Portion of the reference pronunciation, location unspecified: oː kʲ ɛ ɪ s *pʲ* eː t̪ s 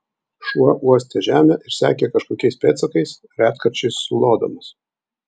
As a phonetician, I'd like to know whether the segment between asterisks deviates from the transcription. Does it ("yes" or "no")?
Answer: no